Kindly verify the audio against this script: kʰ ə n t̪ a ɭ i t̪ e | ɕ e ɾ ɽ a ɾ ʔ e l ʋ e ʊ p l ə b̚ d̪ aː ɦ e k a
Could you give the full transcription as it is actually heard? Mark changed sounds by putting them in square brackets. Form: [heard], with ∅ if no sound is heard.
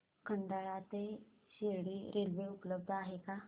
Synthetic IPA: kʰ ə n [d̪] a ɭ [a] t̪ e | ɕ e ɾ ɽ [i] ɾ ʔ e l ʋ e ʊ p l ə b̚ d̪ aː ɦ e k a